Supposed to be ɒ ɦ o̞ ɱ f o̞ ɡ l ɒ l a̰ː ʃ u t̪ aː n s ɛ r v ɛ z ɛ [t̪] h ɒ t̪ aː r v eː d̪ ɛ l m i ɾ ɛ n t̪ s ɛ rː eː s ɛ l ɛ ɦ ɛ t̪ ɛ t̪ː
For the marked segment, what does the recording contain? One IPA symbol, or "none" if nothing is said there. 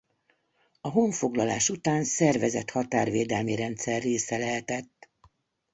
t̪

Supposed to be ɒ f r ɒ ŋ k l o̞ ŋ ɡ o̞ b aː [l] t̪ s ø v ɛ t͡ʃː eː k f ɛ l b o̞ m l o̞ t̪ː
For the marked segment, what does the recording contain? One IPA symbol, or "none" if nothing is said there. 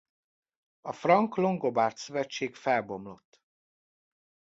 r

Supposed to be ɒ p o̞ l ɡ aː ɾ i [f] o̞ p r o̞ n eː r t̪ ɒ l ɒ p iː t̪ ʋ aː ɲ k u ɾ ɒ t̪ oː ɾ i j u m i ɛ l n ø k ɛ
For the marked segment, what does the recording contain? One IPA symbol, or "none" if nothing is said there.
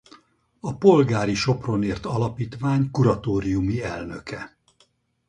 ʃ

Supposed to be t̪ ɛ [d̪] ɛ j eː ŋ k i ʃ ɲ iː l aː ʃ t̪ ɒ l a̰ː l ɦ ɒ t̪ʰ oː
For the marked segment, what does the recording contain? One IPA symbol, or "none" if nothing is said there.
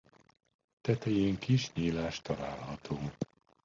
t̪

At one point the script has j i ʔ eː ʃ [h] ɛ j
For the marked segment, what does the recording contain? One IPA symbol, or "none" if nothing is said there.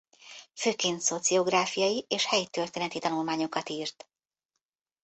h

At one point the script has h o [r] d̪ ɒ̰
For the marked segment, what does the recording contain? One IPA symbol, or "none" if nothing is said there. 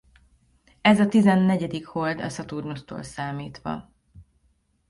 l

